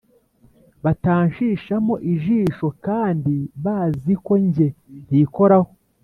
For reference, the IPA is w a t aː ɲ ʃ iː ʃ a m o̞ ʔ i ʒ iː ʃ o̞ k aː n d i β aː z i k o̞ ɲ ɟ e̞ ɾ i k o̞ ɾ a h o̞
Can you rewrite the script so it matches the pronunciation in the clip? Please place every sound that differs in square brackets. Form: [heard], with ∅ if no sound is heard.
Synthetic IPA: [β] a t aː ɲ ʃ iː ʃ a m o̞ ʔ i ʒ iː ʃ o̞ k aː n d i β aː z i k o̞ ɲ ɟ e̞ ɾ i k o̞ ɾ a h o̞